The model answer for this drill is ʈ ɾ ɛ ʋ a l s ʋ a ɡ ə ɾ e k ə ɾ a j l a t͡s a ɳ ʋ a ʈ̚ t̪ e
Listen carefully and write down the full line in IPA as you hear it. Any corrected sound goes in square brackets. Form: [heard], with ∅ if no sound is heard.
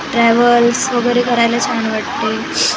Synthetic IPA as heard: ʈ ɾ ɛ ʋ [ə] l s ʋ [ə] ɡ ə ɾ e k ə ɾ a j l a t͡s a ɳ ʋ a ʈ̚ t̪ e